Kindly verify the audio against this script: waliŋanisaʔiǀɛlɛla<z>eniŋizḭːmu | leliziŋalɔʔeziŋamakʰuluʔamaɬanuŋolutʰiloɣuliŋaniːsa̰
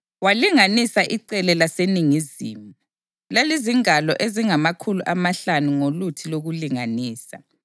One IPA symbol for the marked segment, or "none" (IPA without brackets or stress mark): s